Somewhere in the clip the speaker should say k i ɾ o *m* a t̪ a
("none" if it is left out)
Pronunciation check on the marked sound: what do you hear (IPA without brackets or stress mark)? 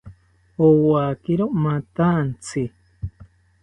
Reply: m